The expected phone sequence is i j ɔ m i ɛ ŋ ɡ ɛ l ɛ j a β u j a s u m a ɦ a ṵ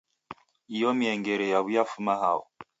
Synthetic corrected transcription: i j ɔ m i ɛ ŋ ɡ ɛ ɾ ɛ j a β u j a f u m a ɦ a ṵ